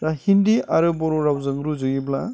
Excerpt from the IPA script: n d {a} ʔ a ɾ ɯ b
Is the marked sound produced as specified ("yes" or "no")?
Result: no